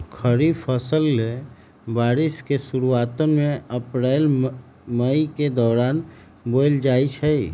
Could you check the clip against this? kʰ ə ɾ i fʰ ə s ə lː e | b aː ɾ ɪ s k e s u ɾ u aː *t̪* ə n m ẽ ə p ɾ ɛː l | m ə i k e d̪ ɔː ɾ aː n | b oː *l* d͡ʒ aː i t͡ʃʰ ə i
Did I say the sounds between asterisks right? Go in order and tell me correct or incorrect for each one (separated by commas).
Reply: correct, correct